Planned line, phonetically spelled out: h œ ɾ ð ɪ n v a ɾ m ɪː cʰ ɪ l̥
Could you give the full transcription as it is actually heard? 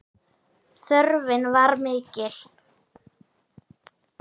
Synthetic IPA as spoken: θ œ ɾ v ɪ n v a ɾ m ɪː c ɪ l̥